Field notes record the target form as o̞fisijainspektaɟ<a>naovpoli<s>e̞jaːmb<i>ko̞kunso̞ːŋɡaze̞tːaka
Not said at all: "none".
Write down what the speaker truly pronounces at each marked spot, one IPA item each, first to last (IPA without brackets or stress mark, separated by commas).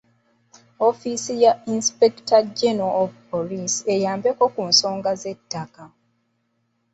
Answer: e, s, e